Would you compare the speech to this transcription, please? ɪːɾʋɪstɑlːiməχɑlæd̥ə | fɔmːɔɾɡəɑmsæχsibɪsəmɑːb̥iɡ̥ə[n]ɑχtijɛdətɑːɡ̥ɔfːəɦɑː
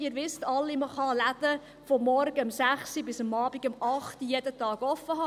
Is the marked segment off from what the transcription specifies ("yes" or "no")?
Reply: yes